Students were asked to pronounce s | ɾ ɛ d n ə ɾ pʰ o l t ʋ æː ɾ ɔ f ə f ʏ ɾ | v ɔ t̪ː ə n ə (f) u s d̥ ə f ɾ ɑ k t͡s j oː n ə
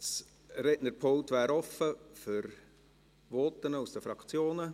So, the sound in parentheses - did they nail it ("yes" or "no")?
no